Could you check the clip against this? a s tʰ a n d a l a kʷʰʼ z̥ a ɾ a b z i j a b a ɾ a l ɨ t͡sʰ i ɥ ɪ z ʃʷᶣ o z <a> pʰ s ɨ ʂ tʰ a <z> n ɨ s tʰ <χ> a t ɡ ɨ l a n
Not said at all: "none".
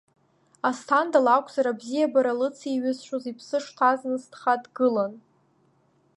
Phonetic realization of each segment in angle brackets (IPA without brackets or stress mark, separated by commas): i, z, χ